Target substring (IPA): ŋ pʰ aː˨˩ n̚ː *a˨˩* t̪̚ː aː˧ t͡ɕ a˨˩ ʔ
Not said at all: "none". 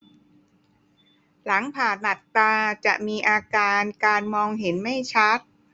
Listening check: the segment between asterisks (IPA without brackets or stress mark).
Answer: a˨˩